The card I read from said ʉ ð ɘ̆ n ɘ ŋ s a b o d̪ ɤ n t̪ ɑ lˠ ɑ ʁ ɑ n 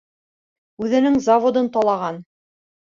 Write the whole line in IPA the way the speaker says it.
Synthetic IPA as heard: ʉ ð ɘ̆ n ɘ ŋ z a v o d̪ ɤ n t̪ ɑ lˠ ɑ ʁ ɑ n